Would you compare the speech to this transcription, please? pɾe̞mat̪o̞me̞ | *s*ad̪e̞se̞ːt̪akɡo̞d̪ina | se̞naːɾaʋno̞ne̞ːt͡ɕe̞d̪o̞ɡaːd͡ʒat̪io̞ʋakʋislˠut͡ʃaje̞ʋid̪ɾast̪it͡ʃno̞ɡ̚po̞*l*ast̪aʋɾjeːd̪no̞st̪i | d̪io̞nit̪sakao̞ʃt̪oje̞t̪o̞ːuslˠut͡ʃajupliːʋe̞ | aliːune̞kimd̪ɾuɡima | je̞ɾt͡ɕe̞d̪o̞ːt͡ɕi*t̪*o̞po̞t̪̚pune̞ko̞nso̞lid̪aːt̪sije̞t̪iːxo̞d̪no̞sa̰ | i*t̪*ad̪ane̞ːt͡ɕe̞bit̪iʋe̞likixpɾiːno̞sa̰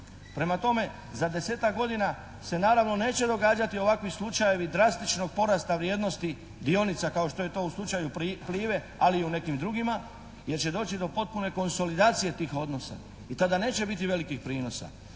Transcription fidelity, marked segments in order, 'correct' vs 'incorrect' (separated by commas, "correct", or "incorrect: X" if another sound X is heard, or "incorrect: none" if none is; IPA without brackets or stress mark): incorrect: z, incorrect: ɾ, incorrect: d̪, correct